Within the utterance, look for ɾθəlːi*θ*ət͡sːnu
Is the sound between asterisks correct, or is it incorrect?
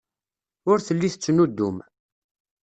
correct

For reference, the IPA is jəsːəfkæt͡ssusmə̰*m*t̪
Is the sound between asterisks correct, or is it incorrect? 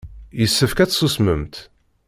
correct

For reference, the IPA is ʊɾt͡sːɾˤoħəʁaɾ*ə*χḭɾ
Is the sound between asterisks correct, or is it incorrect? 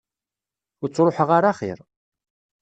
incorrect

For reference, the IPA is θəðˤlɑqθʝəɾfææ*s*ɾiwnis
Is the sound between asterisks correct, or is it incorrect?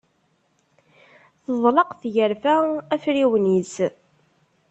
incorrect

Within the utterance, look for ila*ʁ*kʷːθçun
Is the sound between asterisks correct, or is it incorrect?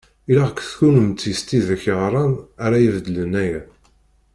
correct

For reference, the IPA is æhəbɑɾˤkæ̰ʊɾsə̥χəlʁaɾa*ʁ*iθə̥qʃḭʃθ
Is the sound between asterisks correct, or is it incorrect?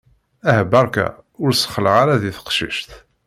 incorrect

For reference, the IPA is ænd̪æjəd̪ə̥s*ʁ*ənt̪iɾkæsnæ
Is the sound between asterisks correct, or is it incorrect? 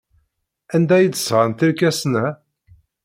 correct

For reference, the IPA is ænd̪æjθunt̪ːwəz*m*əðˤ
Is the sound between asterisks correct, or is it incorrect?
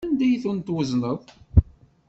incorrect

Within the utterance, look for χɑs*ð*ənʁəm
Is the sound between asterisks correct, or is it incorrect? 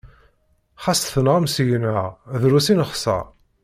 incorrect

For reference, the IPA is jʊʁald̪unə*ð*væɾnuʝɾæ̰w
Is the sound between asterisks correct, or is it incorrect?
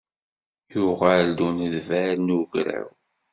correct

